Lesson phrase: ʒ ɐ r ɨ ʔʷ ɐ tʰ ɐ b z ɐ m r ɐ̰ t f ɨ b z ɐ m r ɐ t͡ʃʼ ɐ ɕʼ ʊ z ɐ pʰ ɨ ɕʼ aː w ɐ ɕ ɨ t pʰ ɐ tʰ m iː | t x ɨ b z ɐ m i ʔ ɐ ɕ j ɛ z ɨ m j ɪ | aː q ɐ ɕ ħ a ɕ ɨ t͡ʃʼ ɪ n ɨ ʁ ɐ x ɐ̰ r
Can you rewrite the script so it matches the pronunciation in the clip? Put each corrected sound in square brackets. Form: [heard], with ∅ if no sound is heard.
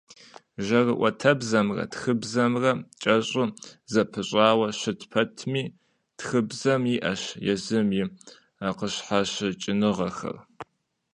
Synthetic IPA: ʒ ɐ r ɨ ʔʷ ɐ tʰ ɐ b z ɐ m r ɐ̰ t [x] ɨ b z ɐ m r ɐ t͡ʃʼ ɐ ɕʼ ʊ z ɐ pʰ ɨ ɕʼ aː w ɐ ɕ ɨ t pʰ ɐ tʰ m iː | t x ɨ b z ɐ m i ʔ ɐ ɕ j ɛ z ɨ m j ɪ | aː q [ə] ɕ ħ a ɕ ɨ t͡ʃʼ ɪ n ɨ ʁ ɐ x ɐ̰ r